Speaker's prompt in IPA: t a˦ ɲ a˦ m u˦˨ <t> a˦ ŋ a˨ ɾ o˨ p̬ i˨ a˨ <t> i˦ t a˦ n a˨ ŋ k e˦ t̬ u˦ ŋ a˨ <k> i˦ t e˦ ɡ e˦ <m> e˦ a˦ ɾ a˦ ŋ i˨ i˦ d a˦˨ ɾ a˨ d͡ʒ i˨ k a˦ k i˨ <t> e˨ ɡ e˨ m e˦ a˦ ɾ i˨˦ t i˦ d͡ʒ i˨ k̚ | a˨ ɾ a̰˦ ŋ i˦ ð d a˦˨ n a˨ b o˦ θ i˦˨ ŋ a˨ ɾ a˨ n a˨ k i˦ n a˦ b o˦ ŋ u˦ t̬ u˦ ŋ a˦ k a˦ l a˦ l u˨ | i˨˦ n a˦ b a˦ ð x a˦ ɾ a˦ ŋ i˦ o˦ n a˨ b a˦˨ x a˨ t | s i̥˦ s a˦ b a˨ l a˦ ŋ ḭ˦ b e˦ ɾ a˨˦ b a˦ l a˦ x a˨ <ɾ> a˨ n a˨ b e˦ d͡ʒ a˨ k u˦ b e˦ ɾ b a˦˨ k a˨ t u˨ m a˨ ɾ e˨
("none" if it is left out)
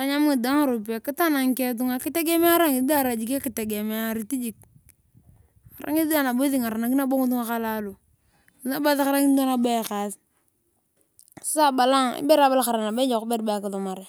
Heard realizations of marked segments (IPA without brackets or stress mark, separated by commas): d, k, k, m, t, ɾ